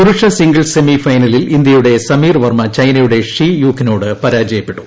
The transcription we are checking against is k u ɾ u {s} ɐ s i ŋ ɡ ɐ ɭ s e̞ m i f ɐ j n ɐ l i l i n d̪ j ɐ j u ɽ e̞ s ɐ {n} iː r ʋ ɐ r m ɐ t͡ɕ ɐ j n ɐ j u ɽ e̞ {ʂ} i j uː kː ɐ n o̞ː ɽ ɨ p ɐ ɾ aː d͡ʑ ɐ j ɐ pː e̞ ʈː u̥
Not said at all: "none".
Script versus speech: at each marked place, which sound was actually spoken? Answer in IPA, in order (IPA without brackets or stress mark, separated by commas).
ʂ, m, ʂ